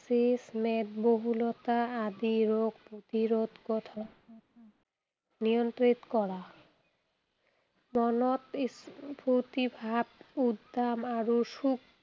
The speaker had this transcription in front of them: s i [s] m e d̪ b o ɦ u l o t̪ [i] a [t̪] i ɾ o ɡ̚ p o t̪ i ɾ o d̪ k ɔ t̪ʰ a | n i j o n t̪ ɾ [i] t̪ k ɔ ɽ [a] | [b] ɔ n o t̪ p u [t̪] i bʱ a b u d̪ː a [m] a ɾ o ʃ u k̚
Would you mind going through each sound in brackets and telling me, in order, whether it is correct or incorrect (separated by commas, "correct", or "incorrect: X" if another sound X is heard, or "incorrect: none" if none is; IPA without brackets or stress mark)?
correct, incorrect: a, incorrect: d̪, correct, correct, incorrect: m, correct, correct